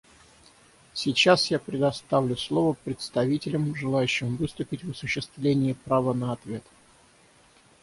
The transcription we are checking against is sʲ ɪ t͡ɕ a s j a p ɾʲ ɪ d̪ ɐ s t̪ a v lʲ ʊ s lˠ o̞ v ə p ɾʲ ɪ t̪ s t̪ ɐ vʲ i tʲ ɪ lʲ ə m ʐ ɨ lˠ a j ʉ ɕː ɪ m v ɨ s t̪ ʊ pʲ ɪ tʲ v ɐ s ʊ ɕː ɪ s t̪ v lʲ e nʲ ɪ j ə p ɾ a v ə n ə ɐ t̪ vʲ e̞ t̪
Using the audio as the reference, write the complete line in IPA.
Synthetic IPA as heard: sʲ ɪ t͡ɕ a s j a p ɾʲ ɪ d̪ ɐ s t̪ a v lʲ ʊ s lˠ o̞ v ə p ɾʲ ɪ t̪ s t̪ ɐ vʲ i tʲ ɪ lʲ ə m ʐ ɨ lˠ a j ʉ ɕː ɪ m v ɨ s t̪ ʊ pʲ ɪ tʲ v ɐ s ʊ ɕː ɪ s t̪ v lʲ e nʲ ɪ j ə p ɾ a v ə n ə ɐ t̪ vʲ e̞ t̪

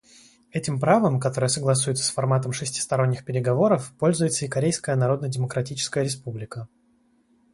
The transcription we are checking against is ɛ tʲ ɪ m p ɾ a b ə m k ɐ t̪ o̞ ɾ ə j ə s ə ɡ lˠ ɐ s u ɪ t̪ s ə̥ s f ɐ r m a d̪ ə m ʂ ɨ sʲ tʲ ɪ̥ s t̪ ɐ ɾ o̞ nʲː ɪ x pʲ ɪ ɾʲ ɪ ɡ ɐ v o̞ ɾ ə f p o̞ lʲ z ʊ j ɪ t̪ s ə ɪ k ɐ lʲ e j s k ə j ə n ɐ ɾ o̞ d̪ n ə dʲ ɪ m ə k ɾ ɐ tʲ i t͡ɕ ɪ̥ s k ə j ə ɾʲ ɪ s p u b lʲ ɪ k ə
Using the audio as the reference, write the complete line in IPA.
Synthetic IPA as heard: ɛ tʲ ɪ m p ɾ a v ə m k ɐ t̪ o̞ ɾ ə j ə s ə ɡ lˠ ɐ s u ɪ t̪ s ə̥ s f ɐ r m a t̪ ə m ʂ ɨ sʲ tʲ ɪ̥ s t̪ ɐ ɾ o̞ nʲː ɪ x pʲ ɪ ɾʲ ɪ ɡ ɐ v o̞ ɾ ə f p o̞ lʲ z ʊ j ɪ t̪ s ə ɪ k ɐ ɾʲ e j s k ə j ə n ɐ ɾ o̞ d̪ n ə dʲ ɪ m ə k ɾ ɐ tʲ i t͡ɕ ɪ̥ s k ə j ə ɾʲ ɪ s p u b lʲ ɪ k ə

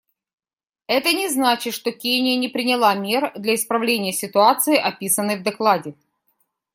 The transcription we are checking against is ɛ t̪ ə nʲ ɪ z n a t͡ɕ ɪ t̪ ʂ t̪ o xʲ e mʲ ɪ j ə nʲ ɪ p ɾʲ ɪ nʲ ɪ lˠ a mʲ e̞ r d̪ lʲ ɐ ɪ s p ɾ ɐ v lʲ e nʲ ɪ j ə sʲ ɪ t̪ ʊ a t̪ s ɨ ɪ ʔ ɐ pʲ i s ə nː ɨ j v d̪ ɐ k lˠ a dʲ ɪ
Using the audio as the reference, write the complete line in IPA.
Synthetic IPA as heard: ɛ t̪ ə nʲ ɪ z n a t͡ɕ ɪ t̪ ʂ t̪ o kʲ e nʲ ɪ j ə nʲ ɪ p ɾʲ ɪ nʲ ɪ lˠ a mʲ e̞ r d̪ lʲ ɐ ɪ s p ɾ ɐ v lʲ e nʲ ɪ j ə sʲ ɪ t̪ ʊ a t̪ s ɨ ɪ ʔ ɐ pʲ i s ə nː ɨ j v d̪ ɐ k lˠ a dʲ ɪ

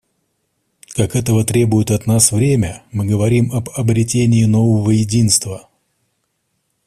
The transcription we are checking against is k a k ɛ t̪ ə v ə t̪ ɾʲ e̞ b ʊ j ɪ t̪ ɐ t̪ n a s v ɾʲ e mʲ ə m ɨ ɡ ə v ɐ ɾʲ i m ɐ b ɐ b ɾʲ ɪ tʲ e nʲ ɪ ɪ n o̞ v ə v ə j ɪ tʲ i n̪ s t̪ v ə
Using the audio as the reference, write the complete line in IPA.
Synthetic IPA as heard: k a k ɛ t̪ ə v ə t̪ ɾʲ e̞ b ʊ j ɪ t̪ ɐ t̪ n a s v ɾʲ e mʲ ə m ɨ ɡ ə v ɐ ɾʲ i m ɐ b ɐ b ɾʲ ɪ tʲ e nʲ ɪ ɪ n o̞ v ə v ə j ɪ dʲ i n̪ s t̪ v ə

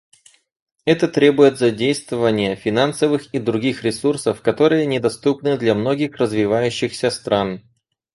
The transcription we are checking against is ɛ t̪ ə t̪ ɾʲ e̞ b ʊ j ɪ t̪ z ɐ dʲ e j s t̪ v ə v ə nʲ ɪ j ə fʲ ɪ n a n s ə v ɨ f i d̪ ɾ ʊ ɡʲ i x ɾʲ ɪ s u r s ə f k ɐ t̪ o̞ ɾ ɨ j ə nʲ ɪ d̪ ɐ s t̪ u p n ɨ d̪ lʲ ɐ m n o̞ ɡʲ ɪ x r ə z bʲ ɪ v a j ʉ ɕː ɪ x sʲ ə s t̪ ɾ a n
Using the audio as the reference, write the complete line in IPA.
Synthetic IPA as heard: ɛ t̪ ə t̪ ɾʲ e̞ b ʊ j ɪ t̪ z ɐ dʲ e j s t̪ v ə v ə nʲ ɪ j ə fʲ ɪ n a n s ə v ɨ x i d̪ ɾ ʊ ɡʲ i x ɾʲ ɪ s u r s ə f k ɐ t̪ o̞ ɾ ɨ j ə nʲ ɪ d̪ ɐ s t̪ u p n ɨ d̪ lʲ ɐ m n o̞ ɡʲ ɪ x r ə z vʲ ɪ v a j ʉ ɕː ɪ x sʲ ə s t̪ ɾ a n

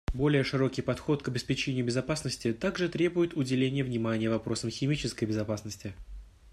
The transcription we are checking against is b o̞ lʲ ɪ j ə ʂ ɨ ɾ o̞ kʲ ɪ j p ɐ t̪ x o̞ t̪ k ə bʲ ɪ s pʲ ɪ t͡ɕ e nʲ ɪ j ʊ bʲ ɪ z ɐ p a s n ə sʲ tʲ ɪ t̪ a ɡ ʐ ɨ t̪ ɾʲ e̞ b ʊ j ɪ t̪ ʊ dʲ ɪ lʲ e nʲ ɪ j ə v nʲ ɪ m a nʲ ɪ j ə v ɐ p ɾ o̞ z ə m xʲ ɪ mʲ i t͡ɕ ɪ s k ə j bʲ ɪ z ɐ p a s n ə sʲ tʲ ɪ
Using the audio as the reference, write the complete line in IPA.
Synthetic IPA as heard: b o̞ lʲ ɪ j ə ʂ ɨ ɾ o̞ kʲ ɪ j p ɐ t̪ x o̞ t̪ k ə bʲ ɪ s pʲ ɪ t͡ɕ e nʲ ɪ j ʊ bʲ ɪ z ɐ p a s n ə sʲ tʲ ɪ t̪ a ɡ ʐ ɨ t̪ ɾʲ e̞ b ʊ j ɪ t̪ ʊ dʲ ɪ lʲ e nʲ ɪ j ə v nʲ ɪ m a nʲ ɪ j ə v ɐ p ɾ o̞ s ə m xʲ ɪ mʲ i t͡ɕ ɪ s k ə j bʲ ɪ z ɐ p a s n ə sʲ tʲ ɪ

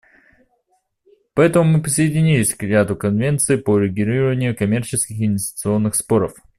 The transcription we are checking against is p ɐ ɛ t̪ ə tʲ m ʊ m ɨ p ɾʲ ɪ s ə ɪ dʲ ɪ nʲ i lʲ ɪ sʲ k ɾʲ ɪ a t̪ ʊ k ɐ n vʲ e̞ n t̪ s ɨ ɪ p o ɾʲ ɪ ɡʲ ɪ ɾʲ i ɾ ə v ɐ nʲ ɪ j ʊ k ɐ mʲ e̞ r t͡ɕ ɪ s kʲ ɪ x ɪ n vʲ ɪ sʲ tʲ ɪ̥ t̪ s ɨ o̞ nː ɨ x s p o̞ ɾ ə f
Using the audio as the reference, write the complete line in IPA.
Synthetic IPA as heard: p ɐ ɛ t̪ ə m ʊ m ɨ p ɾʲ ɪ s ə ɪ dʲ ɪ nʲ i lʲ ɪ sʲ k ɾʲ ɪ a t̪ ʊ k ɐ n vʲ e̞ n t̪ s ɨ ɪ p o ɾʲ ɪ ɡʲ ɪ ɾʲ i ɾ ə v ə nʲ ɪ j ʊ k ɐ mʲ e̞ r t͡ɕ ɪ s kʲ ɪ x ɪ n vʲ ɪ sʲ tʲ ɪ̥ t̪ s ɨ o̞ nː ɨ x s p o̞ ɾ ə f

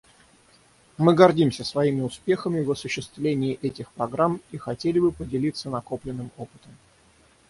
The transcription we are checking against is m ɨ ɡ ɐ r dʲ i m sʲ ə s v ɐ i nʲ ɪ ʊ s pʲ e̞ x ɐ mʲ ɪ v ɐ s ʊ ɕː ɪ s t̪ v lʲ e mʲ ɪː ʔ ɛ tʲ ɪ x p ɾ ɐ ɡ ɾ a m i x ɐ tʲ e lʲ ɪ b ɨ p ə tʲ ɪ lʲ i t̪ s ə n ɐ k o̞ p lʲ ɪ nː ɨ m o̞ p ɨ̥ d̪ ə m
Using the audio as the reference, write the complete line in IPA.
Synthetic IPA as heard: m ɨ ɡ ɐ r dʲ i m sʲ ə s v ɐ i mʲ ɪ ʊ s pʲ e̞ x ə mʲ ɪ v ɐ s ʊ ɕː ɪ s t̪ v lʲ e nʲ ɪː ʔ ɛ tʲ ɪ x p ɾ ɐ ɡ ɾ a m i x ɐ tʲ e lʲ ɪ b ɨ p ə dʲ ɪ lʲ i t̪ s ə n ɐ k o̞ p lʲ ɪ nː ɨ m o̞ p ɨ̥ t̪ ə m

